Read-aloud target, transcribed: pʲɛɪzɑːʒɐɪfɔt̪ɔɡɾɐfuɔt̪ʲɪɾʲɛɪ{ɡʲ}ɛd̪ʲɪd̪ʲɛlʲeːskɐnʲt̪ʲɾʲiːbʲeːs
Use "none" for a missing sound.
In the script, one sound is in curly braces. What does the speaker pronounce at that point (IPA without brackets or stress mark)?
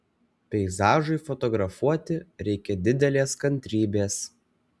kʲ